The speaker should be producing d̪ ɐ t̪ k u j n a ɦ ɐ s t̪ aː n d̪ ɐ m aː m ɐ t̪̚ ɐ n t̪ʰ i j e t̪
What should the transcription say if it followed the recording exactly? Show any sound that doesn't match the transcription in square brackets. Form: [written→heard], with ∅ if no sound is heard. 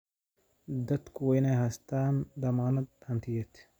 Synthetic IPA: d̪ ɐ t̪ k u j n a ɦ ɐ s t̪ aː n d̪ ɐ m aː [m→n] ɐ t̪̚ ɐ n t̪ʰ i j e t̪